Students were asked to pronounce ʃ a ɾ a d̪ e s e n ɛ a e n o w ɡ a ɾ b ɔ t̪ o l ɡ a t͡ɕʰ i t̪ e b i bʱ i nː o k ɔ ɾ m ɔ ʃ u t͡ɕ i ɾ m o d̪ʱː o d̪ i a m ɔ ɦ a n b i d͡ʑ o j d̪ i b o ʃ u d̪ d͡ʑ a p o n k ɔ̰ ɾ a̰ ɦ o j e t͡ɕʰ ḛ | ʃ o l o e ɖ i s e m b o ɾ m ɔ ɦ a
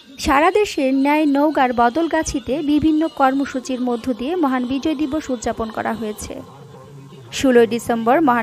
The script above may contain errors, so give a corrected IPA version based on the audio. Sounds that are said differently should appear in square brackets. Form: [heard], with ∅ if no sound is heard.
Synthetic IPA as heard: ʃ a ɾ a d̪ e [ʃ] e n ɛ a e n o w ɡ a ɾ b ɔ [d̪] o l ɡ a t͡ɕʰ i t̪ e b i bʱ i nː o k ɔ ɾ m [o] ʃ u t͡ɕ i ɾ m o d̪ʱː o d̪ i [e] m ɔ ɦ a n b i d͡ʑ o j d̪ i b o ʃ u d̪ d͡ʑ a p o n k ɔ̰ ɾ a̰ ɦ o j e t͡ɕʰ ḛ | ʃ [u] l o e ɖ i s e m b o ɾ m ɔ ɦ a